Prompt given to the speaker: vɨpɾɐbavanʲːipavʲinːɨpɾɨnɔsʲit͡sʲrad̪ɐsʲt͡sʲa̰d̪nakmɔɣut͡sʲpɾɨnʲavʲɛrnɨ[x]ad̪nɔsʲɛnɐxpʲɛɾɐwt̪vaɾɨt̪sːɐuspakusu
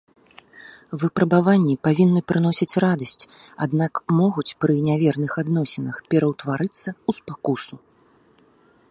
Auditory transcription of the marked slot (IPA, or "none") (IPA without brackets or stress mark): x